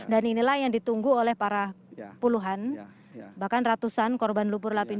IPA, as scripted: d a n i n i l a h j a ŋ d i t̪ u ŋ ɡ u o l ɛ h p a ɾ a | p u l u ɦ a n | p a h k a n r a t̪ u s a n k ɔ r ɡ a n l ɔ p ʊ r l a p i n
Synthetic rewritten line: d a n i n i l a h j a ŋ d i t̪ u ŋ ɡ u o l ɛ h p a ɾ a | p u l u ɦ a n | b a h k a n r a t̪ u s a n k ɔ r b a n l u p ʊ r l a p i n

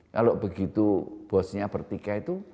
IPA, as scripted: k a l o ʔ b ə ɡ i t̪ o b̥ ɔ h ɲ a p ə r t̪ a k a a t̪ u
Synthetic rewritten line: k a l o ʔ b ə ɡ i t̪ u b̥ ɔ s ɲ a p ə r t̪ i k a i t̪ u

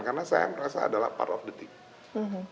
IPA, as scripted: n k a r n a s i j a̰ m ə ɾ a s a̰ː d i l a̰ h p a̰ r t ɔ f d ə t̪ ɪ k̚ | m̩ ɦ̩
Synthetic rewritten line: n k a r n a s a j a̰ m ə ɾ a s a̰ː d a l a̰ h p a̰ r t ɔ f d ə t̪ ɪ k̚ | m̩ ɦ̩

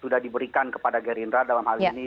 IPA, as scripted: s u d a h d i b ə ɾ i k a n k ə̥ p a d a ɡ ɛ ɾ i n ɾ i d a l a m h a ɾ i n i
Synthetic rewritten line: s u d a h d i b ə ɾ i k a n k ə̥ p a d a ɡ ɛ ɾ i n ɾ a d a l a m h a l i n i

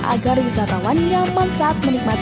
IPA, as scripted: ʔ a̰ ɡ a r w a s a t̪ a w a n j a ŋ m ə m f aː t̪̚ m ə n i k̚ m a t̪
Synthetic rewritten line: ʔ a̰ ɡ a r w i s a t̪ a w a n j a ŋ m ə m s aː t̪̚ m ə n i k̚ m a t̪

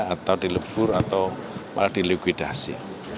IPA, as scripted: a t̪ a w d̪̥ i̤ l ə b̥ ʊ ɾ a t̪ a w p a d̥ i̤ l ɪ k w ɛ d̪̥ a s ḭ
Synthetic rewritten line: a t̪ a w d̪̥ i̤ l ə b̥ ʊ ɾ a t̪ a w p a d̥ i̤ l i k w i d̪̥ a s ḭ

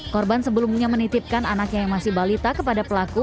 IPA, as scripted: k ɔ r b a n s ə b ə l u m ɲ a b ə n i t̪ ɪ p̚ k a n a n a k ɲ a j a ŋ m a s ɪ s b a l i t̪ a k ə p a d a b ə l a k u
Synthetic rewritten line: k ɔ r b a n s ə b ə l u m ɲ a m ə n i t̪ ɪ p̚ k a n a n a k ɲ a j a ŋ m a s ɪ h b a l i t̪ a k ə p a d a p ə l a k u

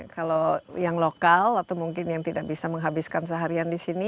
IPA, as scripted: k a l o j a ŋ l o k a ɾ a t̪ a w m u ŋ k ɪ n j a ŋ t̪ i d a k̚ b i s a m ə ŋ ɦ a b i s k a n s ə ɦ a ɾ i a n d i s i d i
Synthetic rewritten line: k a l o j a ŋ l o k a l a t̪ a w m u ŋ k ɪ n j a ŋ t̪ i d a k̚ b i s a m ə ŋ ɦ a b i s k a n s ə ɦ a ɾ i a n d i s i n i

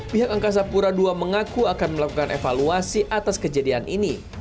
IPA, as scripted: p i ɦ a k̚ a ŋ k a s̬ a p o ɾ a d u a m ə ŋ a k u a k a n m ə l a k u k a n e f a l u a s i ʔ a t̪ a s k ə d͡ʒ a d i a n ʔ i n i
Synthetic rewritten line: p i ɦ a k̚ a ŋ k a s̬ a p u ɾ a d u a m ə ŋ a k u a k a n m ə l a k u k a n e f a l u a s i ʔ a t̪ a s k ə d͡ʒ a d i a n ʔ i n i

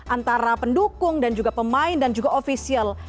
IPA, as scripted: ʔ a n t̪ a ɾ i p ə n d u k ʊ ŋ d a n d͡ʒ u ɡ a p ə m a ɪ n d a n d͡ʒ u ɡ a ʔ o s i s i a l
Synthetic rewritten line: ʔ a n t̪ a ɾ a p ə n d u k ʊ ŋ d a n d͡ʒ u ɡ a p ə m a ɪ n d a n d͡ʒ u ɡ a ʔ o f i s i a l

